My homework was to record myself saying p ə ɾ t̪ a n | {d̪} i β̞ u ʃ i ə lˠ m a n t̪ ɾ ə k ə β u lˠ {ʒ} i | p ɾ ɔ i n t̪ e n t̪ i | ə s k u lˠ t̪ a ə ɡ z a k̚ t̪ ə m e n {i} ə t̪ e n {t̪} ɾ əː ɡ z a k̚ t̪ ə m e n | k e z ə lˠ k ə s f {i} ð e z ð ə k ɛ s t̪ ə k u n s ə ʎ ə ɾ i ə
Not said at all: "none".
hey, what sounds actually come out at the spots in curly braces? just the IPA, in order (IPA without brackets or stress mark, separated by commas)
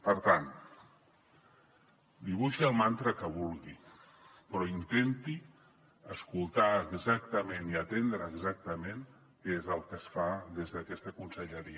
d̪, ɣ, i, d̪, a